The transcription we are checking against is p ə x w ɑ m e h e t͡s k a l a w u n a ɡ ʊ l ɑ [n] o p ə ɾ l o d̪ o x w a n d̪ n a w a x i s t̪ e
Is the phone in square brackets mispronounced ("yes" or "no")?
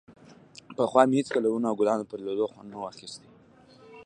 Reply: no